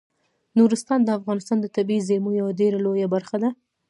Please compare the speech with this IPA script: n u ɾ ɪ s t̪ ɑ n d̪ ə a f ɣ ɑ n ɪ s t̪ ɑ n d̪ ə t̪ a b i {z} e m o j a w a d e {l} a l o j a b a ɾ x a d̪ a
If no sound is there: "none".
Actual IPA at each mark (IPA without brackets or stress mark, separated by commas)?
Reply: z, ɾ